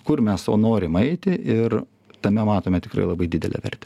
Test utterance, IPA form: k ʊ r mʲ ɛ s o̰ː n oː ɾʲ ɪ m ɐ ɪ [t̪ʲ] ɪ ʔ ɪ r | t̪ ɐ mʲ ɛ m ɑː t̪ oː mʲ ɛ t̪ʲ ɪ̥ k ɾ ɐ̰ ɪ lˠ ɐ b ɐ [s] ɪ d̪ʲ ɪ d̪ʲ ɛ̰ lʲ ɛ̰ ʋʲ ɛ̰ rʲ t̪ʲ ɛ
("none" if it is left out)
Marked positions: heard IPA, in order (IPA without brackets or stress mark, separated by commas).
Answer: t̪ʲ, none